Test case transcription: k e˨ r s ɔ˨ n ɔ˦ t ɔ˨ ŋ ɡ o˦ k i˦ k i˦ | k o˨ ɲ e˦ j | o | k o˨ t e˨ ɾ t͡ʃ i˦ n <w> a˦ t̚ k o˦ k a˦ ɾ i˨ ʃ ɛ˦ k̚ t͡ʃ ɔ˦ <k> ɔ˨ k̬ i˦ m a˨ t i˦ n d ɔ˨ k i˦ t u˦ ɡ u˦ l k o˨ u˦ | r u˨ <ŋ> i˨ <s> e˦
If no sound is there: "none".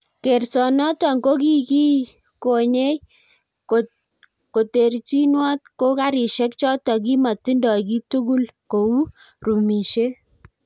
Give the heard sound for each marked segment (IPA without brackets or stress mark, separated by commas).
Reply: w, t, m, ʃ